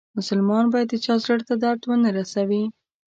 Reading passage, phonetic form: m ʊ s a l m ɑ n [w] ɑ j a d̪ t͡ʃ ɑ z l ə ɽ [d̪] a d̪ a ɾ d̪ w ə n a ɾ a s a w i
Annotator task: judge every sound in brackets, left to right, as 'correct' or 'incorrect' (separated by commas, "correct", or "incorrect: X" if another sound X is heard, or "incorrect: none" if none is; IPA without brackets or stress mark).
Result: incorrect: b, incorrect: t̪